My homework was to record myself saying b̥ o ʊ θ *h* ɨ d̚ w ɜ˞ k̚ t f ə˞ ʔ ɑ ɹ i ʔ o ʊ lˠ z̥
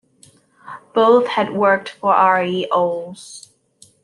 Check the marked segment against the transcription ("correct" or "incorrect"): correct